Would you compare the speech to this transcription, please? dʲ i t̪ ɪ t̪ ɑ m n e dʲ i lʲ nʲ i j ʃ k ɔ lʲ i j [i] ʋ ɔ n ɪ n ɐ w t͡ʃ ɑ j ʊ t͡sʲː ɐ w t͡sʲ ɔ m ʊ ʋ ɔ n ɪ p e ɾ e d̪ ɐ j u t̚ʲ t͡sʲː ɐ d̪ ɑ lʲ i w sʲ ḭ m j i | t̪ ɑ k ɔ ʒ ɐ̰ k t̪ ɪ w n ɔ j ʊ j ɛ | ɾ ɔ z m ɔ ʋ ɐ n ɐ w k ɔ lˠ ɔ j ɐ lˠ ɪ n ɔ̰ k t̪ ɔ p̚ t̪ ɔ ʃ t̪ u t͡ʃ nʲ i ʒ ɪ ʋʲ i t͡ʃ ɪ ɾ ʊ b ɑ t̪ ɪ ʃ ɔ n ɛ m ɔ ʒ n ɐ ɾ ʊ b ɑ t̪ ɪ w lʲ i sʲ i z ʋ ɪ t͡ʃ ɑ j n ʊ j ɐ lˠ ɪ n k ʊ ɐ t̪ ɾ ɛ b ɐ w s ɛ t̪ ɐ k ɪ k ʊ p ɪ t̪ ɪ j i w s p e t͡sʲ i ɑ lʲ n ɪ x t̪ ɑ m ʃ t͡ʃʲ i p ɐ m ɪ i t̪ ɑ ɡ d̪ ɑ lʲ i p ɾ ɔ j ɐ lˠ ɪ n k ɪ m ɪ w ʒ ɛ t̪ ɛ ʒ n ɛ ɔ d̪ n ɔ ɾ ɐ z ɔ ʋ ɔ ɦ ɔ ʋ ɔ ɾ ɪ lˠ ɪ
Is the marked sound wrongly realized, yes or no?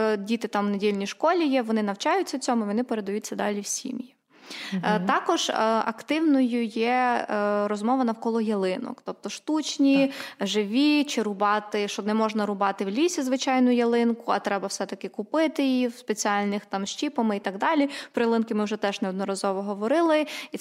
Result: yes